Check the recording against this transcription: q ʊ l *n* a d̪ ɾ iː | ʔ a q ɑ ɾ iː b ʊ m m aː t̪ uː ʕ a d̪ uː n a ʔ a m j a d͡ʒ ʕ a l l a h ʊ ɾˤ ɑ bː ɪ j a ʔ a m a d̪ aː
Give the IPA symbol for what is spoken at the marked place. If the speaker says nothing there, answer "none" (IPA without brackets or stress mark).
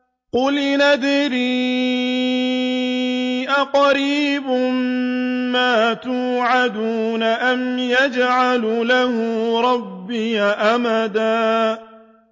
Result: n